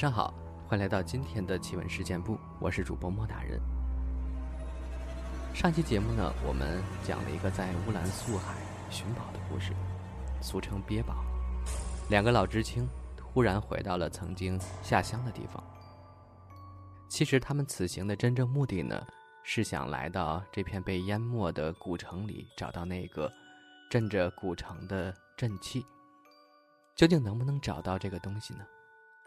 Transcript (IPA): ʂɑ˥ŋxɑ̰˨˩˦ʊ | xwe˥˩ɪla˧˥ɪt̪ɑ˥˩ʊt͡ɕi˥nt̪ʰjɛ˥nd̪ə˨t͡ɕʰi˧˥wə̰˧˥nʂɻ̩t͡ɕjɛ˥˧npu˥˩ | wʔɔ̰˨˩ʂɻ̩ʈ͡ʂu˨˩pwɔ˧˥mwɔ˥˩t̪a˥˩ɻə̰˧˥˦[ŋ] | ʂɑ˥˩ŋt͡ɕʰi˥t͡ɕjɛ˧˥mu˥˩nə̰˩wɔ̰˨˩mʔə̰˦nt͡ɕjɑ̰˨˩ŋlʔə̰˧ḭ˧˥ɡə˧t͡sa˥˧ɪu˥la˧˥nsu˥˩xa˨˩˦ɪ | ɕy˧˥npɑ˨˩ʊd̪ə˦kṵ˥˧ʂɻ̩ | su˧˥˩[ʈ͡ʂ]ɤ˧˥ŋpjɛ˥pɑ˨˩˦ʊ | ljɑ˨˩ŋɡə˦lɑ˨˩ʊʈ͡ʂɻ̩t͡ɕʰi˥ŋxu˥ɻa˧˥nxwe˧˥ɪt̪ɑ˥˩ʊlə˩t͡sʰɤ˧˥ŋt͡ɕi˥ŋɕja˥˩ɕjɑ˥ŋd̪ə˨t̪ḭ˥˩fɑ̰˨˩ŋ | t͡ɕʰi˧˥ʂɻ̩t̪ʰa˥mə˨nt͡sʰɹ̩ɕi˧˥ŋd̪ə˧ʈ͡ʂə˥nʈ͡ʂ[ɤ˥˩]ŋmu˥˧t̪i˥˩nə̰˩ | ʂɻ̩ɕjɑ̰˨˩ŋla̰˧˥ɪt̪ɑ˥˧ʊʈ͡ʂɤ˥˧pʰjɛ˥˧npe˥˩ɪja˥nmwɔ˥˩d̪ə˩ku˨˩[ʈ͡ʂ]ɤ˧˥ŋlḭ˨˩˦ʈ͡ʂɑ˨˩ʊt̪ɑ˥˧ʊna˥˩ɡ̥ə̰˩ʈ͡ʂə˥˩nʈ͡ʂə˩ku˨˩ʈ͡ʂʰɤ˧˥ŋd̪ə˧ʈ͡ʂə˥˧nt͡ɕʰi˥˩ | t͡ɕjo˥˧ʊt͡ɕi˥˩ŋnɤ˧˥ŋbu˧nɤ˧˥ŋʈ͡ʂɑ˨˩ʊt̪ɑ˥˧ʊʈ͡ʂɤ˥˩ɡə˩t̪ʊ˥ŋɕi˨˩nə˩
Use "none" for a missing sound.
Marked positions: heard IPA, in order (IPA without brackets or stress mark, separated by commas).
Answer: n, ʈ͡ʂʰ, ɤ˥˧, ʈ͡ʂʰ